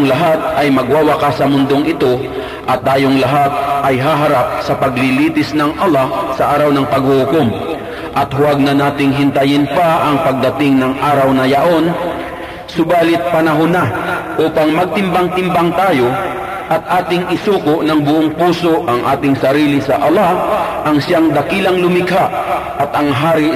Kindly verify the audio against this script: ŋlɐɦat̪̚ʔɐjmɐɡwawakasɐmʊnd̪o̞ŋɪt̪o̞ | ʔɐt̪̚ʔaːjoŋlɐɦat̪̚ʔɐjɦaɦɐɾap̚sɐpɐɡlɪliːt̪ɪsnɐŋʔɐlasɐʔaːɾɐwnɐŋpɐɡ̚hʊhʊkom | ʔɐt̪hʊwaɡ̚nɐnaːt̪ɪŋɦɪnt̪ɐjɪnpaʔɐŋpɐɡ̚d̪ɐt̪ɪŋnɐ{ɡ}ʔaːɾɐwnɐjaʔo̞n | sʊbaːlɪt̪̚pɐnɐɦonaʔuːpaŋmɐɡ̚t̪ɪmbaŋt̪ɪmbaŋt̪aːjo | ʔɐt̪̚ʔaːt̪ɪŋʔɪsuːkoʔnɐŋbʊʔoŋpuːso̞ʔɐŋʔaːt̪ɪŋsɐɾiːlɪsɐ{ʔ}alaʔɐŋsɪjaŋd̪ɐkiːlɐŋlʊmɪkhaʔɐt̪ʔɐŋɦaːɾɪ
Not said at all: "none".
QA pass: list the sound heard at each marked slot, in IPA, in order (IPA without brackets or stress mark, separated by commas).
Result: ŋ, ʔ